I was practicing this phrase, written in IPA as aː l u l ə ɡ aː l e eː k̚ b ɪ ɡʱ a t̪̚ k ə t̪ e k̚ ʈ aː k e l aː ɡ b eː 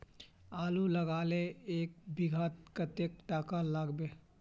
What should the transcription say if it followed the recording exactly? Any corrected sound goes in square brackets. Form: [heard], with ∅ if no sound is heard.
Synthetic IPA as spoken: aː l u l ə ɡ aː l e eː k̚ b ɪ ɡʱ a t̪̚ k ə t̪ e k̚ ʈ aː k [a] l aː ɡ b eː